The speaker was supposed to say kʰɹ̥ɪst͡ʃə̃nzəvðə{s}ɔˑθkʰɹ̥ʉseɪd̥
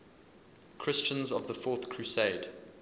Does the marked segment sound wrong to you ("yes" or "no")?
yes